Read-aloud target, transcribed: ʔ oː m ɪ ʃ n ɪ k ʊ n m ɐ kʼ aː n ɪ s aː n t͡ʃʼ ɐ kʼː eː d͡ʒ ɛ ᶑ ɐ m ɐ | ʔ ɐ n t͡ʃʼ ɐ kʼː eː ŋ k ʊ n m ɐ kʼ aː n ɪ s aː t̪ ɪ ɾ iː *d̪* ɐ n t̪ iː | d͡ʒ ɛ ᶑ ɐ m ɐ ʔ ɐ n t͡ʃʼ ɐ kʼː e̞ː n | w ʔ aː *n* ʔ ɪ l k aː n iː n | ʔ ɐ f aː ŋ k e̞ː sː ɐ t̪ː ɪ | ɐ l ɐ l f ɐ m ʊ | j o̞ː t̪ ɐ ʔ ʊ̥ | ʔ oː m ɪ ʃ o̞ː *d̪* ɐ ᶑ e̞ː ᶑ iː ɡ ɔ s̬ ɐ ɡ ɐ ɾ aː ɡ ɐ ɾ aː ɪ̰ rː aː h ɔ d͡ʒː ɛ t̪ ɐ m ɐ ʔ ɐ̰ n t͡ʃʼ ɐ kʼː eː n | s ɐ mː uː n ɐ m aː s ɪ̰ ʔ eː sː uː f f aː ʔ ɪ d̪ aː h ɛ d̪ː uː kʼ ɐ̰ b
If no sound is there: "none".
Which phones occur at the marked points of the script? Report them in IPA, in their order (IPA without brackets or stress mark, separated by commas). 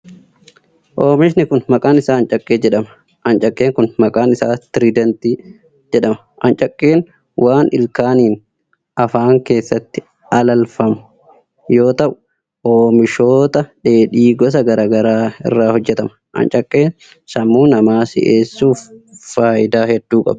d̪, n, t̪